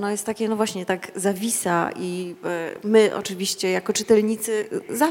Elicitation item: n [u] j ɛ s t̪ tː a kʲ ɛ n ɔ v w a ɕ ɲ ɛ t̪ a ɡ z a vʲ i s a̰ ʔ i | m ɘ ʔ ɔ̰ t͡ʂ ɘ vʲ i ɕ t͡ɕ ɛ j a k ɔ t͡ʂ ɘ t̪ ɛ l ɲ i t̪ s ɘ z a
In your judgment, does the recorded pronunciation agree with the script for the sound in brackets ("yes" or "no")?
no